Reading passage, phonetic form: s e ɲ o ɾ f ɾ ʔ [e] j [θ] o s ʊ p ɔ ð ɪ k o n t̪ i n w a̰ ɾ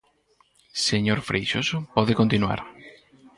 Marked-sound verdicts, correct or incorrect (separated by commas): correct, incorrect